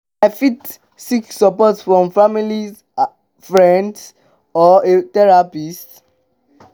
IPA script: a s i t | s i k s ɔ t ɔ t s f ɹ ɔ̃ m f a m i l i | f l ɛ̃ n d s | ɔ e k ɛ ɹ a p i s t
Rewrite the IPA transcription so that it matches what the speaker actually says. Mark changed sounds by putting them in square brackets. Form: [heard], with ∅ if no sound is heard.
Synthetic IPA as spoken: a [f] i t | s i k s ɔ [p] ɔ t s f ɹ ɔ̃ m f a m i l i | f [ɹ] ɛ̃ n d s | ɔ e [t] ɛ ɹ a p i s t